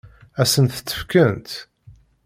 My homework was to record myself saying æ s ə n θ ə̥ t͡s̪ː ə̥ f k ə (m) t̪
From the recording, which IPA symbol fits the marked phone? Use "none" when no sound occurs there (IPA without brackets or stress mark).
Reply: n